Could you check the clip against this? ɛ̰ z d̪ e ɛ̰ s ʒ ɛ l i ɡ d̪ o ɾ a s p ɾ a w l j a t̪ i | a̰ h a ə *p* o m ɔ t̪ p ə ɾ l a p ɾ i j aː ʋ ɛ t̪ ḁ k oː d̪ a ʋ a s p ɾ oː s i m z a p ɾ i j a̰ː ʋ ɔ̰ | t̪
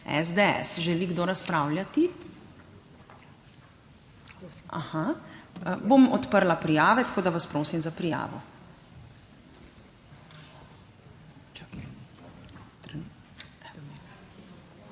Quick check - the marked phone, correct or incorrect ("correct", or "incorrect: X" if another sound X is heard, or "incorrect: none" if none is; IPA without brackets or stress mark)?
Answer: incorrect: b